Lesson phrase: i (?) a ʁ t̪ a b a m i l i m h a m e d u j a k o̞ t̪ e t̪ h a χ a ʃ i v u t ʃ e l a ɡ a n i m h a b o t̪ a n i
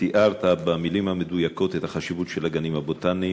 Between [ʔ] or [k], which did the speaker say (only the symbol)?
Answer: ʔ